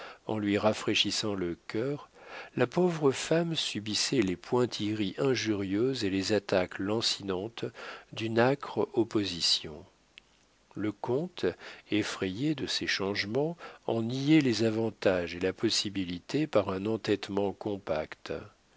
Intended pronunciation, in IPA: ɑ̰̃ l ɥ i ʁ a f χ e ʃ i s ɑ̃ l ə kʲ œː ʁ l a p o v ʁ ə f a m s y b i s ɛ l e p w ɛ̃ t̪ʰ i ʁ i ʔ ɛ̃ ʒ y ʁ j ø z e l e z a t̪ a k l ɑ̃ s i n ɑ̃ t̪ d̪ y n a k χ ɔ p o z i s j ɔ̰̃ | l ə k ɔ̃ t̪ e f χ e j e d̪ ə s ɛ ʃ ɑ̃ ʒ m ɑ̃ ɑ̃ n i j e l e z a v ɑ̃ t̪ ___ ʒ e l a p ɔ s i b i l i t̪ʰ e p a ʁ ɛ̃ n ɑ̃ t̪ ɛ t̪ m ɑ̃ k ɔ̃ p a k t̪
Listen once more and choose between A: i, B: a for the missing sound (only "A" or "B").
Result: B